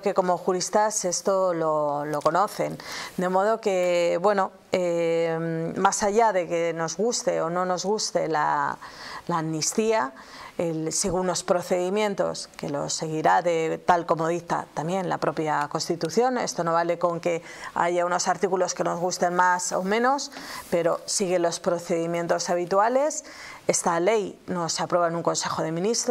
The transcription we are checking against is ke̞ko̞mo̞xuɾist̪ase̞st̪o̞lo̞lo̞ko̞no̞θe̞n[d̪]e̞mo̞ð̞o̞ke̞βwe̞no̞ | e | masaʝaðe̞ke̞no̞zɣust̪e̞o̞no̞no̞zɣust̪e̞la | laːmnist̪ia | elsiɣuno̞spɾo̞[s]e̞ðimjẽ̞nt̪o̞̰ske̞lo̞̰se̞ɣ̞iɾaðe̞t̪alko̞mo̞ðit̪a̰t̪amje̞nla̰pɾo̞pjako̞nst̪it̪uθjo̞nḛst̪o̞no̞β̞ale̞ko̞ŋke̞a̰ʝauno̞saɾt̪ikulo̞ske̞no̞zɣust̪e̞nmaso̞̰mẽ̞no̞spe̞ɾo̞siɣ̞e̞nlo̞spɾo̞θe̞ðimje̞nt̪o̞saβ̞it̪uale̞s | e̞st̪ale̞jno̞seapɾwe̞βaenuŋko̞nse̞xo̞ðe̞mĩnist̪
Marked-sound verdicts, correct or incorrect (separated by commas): correct, incorrect